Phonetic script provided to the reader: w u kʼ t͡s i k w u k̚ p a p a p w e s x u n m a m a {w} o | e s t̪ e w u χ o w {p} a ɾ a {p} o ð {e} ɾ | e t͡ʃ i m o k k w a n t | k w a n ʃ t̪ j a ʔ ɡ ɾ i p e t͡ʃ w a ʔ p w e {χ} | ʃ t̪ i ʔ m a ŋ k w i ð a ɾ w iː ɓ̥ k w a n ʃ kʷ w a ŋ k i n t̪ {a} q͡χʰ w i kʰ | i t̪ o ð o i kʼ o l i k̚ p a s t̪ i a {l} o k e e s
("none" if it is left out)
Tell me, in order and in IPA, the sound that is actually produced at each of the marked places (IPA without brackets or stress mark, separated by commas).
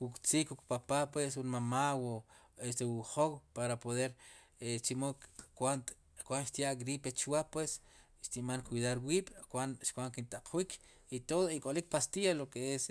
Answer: w, p, p, e, s, a, l